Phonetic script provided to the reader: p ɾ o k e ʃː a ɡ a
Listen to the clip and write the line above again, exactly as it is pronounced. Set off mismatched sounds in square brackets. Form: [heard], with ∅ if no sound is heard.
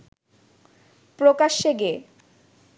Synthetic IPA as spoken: p ɾ o k [a] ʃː [e] ɡ [e]